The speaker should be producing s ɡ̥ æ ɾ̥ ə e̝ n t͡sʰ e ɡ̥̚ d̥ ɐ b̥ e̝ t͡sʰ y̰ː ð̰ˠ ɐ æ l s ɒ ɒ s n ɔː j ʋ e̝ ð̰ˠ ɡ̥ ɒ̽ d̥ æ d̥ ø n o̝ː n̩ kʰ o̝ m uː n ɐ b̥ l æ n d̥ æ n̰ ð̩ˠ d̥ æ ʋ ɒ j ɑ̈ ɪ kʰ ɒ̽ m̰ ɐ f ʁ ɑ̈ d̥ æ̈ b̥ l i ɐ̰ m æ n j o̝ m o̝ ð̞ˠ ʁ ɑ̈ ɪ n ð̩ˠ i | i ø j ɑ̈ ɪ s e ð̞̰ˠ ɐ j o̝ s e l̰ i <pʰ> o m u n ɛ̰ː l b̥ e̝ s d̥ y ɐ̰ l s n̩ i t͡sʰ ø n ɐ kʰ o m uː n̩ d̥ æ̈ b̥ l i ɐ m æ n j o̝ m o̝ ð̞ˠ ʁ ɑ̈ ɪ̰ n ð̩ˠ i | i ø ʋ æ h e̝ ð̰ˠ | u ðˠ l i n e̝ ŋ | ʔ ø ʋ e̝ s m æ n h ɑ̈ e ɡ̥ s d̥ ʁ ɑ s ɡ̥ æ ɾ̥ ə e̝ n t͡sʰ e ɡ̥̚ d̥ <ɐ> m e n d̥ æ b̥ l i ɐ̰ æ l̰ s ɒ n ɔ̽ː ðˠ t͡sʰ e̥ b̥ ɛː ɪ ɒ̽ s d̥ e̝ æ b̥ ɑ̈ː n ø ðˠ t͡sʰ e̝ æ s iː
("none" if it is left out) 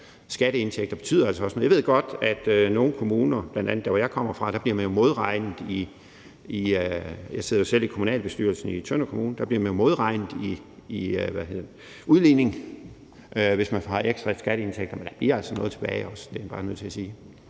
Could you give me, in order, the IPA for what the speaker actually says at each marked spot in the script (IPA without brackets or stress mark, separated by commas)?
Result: kʰ, ɐ